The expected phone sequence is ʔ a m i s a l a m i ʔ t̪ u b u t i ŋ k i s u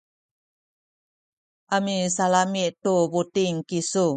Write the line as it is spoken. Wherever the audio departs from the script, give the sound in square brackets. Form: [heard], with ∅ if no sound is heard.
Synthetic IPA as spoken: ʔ a m i s a l a m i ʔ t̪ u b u t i ŋ k i s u

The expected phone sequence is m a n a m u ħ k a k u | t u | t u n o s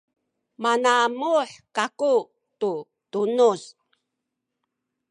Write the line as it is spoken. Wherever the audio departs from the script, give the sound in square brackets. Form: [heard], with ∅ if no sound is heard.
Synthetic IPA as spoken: m a n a m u ħ k a k u | t u | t u n [u] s

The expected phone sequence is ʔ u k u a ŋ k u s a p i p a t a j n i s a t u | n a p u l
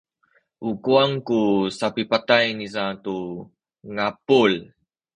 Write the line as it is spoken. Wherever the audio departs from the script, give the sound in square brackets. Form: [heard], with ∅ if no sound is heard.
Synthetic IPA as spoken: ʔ u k u a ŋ k u s a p i p a t a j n i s a t u | [ŋ] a p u l

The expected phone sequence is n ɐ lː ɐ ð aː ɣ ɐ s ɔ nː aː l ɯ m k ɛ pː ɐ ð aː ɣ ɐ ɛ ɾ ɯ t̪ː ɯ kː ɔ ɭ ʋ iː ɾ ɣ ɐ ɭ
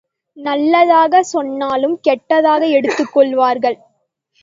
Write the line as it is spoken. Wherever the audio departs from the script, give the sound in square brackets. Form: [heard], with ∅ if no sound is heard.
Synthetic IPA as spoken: n ɐ lː ɐ ð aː ɣ ɐ s ɔ nː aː l ɯ m k ɛ [ʈː] ɐ ð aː ɣ ɐ ɛ [ɽ] ɯ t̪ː ɯ kː ɔ ɭ ʋ [aː] ɾ ɣ ɐ ɭ

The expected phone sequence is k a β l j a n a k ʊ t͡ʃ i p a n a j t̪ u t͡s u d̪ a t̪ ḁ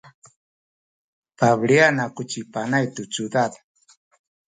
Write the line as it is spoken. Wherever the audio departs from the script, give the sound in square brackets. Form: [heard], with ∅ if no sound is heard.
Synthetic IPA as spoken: [p] a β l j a n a k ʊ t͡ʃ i p a n a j t̪ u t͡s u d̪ a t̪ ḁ

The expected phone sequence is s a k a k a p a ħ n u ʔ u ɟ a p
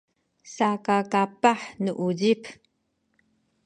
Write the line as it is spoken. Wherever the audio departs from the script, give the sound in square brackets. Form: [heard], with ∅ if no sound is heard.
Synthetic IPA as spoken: s a k a k a p a ħ n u ʔ u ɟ [i] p

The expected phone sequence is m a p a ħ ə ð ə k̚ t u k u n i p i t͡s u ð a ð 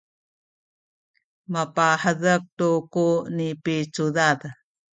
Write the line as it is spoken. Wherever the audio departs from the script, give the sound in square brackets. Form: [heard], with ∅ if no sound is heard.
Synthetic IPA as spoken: m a p a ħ ə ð ə k̚ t u k u n i p i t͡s u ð a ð

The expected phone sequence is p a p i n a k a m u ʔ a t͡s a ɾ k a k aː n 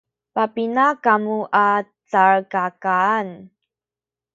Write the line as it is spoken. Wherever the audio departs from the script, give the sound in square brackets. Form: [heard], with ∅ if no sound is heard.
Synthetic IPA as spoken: p a p i n a k a m u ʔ a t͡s a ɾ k a k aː n

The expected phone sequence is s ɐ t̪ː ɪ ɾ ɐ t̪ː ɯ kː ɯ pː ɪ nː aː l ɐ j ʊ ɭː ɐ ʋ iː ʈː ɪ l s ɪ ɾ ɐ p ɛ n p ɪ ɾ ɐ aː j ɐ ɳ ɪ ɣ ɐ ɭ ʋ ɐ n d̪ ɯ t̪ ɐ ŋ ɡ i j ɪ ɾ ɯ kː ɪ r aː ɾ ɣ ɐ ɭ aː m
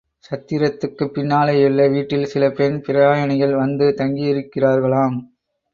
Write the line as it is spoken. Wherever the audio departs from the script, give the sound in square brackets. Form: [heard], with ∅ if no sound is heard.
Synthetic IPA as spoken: s ɐ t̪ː ɪ ɾ ɐ t̪ː ɯ kː ɯ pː ɪ nː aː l ɐ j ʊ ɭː ɐ ʋ iː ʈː ɪ l s ɪ [l] ɐ p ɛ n p ɪ ɾ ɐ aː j ɐ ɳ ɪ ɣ ɐ ɭ ʋ ɐ n d̪ ɯ t̪ ɐ ŋ ɡ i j ɪ ɾ ɯ kː ɪ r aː ɾ ɣ ɐ ɭ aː m

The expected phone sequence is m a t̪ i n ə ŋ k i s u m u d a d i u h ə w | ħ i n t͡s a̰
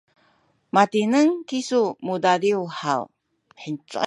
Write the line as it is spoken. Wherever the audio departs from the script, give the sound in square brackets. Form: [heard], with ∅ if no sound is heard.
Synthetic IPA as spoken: m a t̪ i n ə ŋ k i s u m u d a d i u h [a] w | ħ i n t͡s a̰

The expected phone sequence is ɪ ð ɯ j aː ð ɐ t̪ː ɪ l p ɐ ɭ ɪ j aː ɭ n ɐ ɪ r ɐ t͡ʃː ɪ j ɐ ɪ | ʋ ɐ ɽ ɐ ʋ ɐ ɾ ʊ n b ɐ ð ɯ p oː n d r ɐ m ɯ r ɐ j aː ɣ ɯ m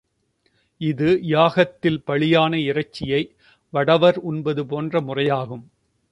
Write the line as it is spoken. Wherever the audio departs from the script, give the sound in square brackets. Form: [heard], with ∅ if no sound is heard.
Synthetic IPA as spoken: ɪ ð ɯ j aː [ɣ] ɐ t̪ː ɪ l p ɐ ɭ ɪ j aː [∅] n ɐ ɪ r ɐ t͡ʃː ɪ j ɐ ɪ | ʋ ɐ ɽ ɐ ʋ ɐ ɾ ʊ n b ɐ ð ɯ p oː n d r ɐ m [ʊ] r ɐ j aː ɣ ɯ m

